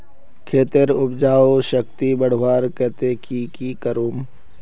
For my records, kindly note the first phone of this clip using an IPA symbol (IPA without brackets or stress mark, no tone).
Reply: kʰ